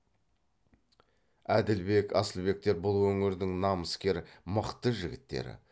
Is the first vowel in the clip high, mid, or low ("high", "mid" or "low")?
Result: low